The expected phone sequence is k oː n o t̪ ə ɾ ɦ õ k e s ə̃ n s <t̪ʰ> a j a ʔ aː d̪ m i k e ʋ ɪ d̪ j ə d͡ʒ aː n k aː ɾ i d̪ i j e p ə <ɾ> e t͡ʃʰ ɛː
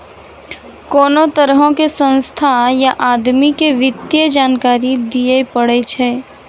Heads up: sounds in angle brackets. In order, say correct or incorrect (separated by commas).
correct, incorrect